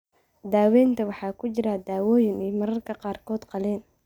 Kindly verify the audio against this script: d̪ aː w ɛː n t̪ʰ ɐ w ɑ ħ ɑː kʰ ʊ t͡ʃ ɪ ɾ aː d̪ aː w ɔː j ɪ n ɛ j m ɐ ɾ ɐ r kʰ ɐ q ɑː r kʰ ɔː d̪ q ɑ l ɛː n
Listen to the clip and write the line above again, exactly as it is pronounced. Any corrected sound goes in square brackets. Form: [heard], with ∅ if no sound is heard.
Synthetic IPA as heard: d̪ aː w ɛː n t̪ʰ ɐ w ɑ ħ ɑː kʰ ʊ t͡ʃ ɪ ɾ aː d̪ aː w ɔː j ɪ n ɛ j m ɐ ɾ ɐ r kʰ ɐ q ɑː r kʰ ɔː d̪ q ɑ l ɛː n